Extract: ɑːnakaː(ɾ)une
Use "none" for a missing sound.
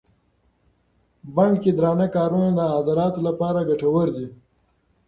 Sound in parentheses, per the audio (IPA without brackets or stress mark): ɾ